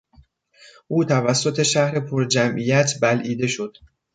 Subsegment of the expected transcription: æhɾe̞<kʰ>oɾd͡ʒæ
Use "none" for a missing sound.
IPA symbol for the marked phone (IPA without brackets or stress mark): pʰ